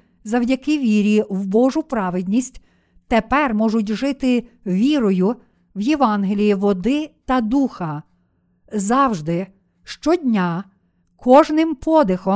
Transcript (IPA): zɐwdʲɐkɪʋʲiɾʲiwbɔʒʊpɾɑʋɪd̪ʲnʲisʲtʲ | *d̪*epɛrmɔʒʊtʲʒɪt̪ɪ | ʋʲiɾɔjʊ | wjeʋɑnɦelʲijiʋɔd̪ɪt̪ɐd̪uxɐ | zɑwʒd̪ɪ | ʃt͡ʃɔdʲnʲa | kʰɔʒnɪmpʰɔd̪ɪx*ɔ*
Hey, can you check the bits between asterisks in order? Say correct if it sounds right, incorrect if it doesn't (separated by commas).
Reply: incorrect, correct